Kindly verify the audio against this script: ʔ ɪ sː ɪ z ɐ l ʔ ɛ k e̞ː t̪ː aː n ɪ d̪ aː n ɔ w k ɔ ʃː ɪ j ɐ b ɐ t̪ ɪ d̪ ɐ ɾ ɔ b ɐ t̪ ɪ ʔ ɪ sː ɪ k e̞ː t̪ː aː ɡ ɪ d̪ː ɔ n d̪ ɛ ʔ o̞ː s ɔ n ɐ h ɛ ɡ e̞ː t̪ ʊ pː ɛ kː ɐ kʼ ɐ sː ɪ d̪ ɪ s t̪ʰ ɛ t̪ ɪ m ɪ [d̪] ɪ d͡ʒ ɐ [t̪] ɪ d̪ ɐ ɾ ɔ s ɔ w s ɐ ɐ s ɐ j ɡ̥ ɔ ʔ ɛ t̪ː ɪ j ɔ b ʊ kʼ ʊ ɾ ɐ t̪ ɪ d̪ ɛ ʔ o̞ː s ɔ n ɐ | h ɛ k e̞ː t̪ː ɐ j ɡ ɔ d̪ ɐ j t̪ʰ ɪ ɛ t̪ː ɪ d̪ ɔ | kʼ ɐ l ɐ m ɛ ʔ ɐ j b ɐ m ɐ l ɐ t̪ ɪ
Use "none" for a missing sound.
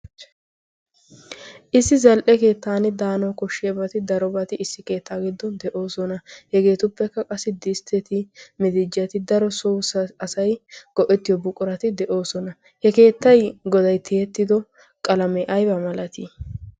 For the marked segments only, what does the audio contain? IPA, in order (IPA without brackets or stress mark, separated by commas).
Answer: d̪, t̪